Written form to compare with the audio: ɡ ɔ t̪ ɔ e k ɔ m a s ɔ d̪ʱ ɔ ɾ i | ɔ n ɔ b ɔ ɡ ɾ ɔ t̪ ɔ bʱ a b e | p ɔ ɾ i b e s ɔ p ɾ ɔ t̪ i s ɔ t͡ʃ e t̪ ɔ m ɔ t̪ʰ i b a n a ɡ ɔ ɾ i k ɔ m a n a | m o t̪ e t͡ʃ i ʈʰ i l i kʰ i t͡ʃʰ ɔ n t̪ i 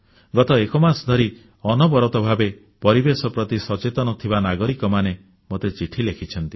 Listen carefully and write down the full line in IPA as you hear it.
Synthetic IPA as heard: ɡ ɔ t̪ ɔ e k ɔ m a s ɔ d̪ʱ ɔ ɾ i | ɔ n ɔ b ɔ ɾ ɔ t̪ ɔ bʱ a b e | p ɔ ɾ i b e s ɔ p ɾ ɔ t̪ i s ɔ t͡ʃ e t̪ ɔ n ɔ t̪ʰ i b a n a ɡ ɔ ɾ i k ɔ m a n e | m o t̪ e t͡ʃ i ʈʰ i l e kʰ i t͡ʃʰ ɔ n t̪ i

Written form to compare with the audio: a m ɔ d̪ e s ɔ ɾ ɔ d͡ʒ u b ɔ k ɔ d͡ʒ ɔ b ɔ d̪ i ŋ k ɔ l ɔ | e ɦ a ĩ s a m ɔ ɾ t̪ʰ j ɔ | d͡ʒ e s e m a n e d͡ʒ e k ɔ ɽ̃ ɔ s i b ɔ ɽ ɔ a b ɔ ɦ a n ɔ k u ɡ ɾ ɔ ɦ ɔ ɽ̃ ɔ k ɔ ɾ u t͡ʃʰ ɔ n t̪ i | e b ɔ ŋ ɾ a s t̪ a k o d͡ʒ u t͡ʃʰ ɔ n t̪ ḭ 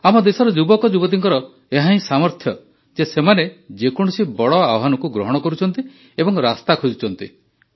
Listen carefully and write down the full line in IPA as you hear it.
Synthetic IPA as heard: a m ɔ d̪ e s ɔ ɾ ɔ d͡ʒ u b ɔ k ɔ d͡ʒ u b ɔ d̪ i ŋ k ɔ ɾ ɔ | e ɦ a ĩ s a m ɔ ɾ t̪ʰ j ɔ | d͡ʒ e s e m a n e d͡ʒ e k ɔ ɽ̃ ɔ s i b ɔ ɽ ɔ a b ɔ ɦ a n ɔ k u ɡ ɾ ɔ ɦ ɔ ɽ̃ ɔ k ɔ ɾ u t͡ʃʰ ɔ n t̪ i | e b ɔ ŋ ɾ a s t̪ a kʰ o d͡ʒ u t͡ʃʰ ɔ n t̪ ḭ

